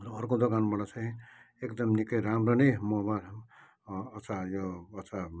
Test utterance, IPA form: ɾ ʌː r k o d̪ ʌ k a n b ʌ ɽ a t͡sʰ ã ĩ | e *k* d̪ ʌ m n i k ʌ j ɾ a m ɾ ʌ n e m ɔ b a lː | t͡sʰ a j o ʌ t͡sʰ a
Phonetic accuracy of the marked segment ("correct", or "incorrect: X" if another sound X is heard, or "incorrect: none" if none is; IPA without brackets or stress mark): correct